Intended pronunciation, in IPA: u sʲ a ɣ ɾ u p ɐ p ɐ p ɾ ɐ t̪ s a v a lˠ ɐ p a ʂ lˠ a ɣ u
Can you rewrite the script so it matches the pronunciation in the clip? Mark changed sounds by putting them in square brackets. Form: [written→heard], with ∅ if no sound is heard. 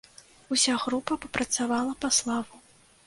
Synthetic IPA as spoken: u sʲ a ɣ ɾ u p ɐ p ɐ p ɾ ɐ t̪ s a v a lˠ ɐ p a [ʂ→s] lˠ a [ɣ→v] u